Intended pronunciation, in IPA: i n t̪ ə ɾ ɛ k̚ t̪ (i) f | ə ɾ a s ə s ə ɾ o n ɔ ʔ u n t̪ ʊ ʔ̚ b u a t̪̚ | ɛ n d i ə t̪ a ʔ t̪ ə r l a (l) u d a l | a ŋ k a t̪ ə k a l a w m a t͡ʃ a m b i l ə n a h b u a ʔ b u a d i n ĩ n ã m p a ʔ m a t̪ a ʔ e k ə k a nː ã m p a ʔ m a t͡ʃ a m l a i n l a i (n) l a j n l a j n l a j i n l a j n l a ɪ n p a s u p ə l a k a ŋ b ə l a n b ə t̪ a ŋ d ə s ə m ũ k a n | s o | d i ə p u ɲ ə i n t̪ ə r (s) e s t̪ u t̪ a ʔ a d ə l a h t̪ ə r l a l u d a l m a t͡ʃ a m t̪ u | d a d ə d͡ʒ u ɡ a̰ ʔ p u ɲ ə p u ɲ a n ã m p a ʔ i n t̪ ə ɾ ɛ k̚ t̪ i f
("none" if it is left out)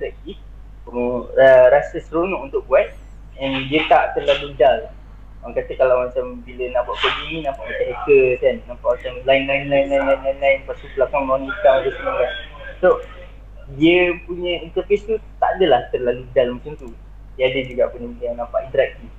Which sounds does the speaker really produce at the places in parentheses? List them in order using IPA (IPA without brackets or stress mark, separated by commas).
i, l, n, f